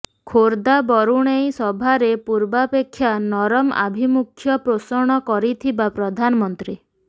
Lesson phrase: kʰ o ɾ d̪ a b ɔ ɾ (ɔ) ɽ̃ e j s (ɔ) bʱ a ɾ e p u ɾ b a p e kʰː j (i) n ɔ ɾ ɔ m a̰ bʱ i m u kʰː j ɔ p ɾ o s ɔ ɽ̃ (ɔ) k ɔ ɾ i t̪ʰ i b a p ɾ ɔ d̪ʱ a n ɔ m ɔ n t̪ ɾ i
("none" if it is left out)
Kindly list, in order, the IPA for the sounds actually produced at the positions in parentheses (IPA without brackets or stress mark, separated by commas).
u, ɔ, a, ɔ